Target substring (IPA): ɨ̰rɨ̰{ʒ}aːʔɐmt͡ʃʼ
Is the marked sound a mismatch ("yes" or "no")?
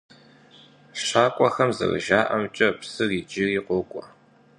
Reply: no